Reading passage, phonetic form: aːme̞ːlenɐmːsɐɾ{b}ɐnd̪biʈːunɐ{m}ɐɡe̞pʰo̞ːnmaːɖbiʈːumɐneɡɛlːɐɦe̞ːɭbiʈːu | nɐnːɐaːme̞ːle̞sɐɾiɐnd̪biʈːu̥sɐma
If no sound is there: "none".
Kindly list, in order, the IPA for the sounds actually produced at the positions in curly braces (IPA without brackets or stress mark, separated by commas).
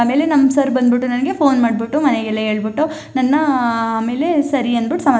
b, n